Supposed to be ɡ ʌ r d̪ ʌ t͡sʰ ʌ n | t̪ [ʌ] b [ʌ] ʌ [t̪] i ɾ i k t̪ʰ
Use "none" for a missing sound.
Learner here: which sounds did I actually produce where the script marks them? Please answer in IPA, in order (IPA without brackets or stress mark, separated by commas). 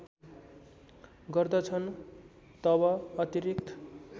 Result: ʌ, ʌ, t̪